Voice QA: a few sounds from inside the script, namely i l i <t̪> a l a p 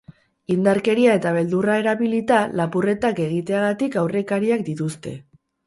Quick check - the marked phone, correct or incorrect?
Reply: correct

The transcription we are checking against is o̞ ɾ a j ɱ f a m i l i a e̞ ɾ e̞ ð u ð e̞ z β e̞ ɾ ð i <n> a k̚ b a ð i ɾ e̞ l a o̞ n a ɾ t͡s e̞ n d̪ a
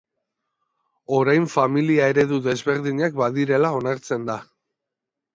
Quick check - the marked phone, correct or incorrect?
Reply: incorrect: ɲ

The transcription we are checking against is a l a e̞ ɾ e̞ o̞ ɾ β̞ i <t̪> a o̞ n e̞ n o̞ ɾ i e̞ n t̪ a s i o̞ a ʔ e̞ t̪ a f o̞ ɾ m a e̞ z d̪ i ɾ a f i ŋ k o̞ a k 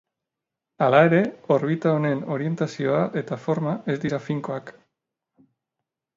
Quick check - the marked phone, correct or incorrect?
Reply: correct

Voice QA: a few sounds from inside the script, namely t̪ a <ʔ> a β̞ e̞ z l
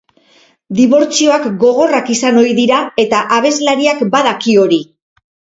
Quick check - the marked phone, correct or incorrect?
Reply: correct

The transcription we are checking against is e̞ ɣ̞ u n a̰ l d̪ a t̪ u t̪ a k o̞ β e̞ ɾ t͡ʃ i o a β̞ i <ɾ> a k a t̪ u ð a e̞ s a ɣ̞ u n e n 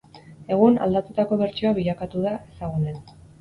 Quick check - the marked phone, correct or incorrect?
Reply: incorrect: ʎ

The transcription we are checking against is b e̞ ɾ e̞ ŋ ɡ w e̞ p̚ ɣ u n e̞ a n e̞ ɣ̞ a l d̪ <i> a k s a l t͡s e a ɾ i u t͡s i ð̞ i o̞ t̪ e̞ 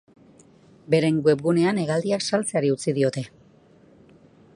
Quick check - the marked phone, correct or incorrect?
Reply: correct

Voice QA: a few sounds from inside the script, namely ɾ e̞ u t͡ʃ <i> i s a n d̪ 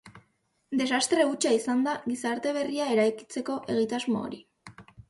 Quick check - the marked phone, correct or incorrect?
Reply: incorrect: a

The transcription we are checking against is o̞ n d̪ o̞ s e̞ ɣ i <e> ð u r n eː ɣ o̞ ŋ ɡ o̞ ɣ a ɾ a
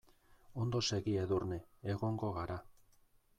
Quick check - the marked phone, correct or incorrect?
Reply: correct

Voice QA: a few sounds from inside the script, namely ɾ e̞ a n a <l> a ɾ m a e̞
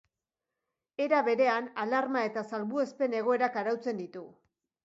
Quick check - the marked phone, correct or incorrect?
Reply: correct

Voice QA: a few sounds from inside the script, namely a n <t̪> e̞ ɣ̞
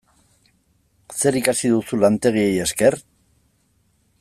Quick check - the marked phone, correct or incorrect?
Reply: correct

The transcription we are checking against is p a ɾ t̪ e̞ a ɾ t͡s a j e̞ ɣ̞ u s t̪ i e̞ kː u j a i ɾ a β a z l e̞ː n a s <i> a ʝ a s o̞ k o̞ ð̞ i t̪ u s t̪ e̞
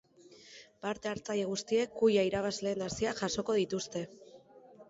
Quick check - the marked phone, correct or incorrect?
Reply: correct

